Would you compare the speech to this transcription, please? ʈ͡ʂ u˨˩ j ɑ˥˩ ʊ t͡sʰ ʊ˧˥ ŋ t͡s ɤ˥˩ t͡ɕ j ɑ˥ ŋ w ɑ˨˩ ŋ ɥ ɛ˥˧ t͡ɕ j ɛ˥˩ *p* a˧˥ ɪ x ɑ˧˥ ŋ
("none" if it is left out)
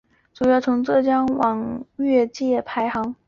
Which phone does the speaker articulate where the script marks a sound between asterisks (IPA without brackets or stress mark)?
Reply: pʰ